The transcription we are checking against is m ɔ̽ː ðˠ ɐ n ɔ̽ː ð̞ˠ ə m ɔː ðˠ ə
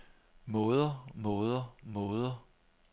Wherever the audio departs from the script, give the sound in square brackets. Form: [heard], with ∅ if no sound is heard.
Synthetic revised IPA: m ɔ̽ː ðˠ ɐ [m] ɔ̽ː ð̞ˠ [ɐ] m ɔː ðˠ [ɐ]